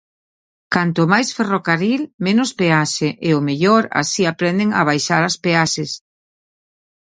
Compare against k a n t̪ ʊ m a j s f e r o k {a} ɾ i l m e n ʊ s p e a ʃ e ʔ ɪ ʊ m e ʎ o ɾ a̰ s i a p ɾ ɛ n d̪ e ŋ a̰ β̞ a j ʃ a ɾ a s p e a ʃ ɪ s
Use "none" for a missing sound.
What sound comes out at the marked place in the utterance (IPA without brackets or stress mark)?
a